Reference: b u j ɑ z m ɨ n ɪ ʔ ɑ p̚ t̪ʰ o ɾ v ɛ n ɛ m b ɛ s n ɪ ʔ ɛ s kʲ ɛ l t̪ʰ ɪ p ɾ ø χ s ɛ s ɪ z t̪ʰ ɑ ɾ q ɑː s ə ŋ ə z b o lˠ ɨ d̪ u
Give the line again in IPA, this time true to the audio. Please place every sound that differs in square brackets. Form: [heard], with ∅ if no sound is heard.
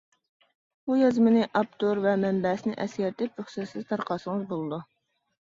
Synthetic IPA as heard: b u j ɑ z m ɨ n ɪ ʔ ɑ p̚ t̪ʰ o ɾ v ɛ [m] ɛ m b ɛ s n ɪ ʔ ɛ s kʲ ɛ [ɾ] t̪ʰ ɪ p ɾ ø χ s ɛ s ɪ z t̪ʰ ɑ ɾ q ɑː s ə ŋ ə z b o lˠ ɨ d̪ u

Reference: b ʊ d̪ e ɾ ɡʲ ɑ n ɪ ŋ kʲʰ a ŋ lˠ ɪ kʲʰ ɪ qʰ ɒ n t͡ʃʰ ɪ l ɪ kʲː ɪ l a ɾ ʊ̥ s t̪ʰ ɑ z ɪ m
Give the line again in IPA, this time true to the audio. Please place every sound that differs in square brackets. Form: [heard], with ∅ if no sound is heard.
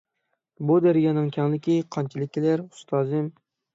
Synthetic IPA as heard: b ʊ d̪ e ɾ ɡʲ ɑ n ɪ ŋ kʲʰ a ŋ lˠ ɪ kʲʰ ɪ qʰ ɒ n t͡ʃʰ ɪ l ɪ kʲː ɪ l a ɾ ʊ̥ s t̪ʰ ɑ z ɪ m

